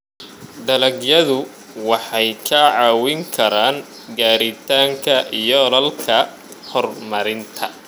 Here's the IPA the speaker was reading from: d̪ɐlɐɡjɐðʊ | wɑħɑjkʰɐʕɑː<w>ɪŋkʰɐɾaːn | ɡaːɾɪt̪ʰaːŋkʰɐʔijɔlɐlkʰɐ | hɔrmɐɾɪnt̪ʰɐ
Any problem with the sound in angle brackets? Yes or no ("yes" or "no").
no